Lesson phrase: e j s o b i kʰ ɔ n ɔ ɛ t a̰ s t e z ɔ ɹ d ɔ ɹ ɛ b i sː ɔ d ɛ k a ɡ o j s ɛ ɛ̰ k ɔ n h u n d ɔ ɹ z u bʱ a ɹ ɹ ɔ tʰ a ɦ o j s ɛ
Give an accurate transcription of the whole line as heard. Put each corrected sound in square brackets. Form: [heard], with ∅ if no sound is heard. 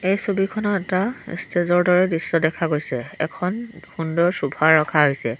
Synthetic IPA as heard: e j s o b i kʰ ɔ n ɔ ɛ t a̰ s t e z ɔ ɹ d ɔ ɹ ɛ [d] i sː ɔ d ɛ [kʰ] a ɡ o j s ɛ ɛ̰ [kʰ] ɔ n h u n d ɔ ɹ [s] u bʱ a ɹ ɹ ɔ [kʰ] a ɦ o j s ɛ

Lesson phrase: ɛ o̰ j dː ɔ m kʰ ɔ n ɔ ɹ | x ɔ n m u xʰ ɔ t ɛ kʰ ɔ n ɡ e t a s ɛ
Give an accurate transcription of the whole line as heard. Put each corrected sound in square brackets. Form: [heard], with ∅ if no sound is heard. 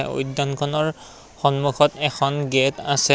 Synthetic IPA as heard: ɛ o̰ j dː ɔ [n] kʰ ɔ n ɔ ɹ | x ɔ n m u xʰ ɔ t ɛ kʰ ɔ n ɡ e t a s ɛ

